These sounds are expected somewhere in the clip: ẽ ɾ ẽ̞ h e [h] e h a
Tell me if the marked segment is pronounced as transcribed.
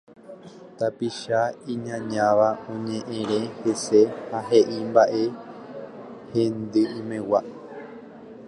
no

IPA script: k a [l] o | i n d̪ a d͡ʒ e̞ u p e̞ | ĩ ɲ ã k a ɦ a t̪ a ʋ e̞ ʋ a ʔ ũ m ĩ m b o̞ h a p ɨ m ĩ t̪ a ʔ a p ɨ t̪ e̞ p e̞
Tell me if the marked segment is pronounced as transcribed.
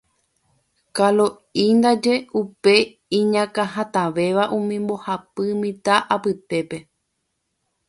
yes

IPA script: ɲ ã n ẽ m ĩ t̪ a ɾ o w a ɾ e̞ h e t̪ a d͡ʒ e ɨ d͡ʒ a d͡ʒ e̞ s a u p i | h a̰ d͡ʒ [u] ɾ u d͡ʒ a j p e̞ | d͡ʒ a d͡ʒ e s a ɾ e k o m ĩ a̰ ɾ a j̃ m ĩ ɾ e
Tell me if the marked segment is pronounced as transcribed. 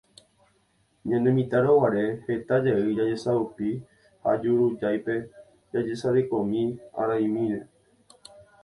yes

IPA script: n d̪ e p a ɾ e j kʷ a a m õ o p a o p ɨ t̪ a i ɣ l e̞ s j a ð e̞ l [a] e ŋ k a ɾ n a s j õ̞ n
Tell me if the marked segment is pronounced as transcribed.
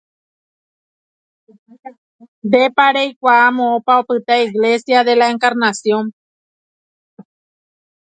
yes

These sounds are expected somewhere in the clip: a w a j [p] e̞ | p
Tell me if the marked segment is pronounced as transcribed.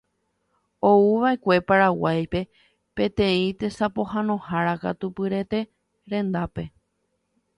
yes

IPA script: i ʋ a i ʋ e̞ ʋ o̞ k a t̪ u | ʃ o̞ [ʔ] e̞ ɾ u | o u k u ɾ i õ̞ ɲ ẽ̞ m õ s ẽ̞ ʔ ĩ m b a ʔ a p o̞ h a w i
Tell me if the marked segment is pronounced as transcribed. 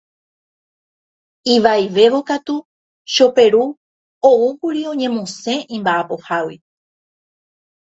no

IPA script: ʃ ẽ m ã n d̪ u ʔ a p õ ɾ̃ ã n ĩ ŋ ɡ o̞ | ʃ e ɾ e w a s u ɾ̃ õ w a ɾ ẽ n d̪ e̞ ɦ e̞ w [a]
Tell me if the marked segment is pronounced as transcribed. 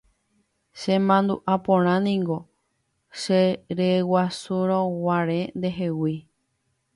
no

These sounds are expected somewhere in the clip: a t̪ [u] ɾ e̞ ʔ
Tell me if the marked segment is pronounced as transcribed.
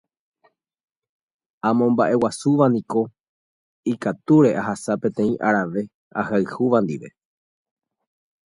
yes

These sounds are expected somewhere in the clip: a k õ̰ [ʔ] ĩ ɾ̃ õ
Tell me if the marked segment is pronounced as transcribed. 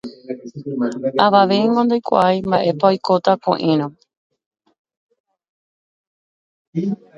yes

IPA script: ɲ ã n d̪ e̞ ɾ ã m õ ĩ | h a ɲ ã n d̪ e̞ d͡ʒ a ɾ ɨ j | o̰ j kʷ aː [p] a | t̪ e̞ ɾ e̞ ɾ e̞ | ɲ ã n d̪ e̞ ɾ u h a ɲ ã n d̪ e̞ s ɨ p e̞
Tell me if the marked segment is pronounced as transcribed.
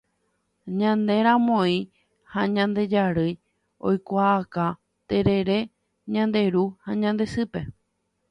no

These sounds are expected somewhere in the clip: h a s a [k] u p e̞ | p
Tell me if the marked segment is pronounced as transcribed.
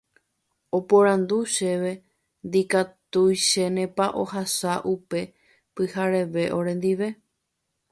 no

